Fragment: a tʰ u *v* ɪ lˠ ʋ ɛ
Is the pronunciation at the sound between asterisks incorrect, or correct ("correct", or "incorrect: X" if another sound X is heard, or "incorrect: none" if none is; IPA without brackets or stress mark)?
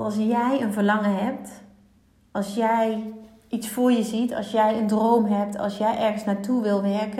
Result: incorrect: ʋ